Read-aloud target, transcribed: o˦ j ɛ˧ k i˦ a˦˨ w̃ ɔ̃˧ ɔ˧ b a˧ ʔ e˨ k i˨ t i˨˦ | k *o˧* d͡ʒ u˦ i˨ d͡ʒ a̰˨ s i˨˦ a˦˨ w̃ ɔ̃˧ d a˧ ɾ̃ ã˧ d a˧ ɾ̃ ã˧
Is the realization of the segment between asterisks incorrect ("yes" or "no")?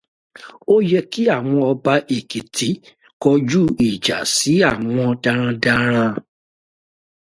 yes